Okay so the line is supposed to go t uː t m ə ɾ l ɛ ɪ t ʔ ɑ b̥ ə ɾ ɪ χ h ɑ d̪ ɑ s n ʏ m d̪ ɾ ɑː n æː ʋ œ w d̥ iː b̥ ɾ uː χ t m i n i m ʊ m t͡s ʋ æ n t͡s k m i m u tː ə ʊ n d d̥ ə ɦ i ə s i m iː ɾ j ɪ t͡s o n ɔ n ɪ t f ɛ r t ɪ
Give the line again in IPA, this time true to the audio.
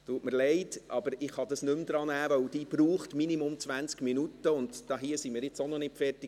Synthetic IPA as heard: t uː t m ə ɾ l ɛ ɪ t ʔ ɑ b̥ ə ɾ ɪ χ h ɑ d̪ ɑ s n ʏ m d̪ ɾ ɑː n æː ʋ œ w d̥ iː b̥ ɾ uː χ t m i n i m ʊ m t͡s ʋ æ n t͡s k m i n u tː ə ʊ n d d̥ ɑ ɦ i ə s i m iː ɾ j ɪ t͡s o n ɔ n ɪ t f ɛ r t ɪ